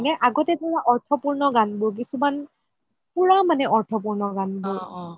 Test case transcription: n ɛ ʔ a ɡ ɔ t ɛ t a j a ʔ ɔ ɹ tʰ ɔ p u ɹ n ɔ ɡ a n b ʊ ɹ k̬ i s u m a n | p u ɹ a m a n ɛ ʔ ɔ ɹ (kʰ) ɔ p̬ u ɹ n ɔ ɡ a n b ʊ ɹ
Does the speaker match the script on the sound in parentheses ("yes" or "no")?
no